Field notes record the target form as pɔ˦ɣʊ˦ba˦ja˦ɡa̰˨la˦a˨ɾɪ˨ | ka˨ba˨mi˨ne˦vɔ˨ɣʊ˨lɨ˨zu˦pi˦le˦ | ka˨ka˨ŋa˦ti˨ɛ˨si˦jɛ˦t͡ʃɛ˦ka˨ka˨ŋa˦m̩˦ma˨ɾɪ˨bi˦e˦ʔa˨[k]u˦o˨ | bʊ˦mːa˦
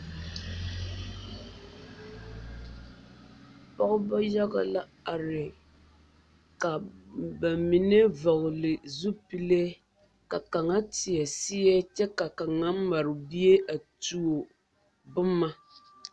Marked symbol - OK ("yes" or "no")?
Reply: no